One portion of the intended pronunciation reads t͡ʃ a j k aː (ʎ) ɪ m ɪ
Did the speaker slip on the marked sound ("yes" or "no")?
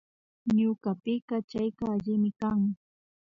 no